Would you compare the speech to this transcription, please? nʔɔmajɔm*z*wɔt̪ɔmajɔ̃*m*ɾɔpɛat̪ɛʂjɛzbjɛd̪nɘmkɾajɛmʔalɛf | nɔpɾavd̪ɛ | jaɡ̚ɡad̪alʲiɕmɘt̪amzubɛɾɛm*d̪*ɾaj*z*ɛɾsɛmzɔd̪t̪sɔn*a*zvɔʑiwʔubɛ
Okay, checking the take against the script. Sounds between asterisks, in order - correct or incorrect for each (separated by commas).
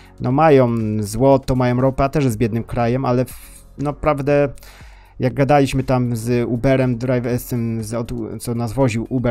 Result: correct, correct, correct, incorrect, correct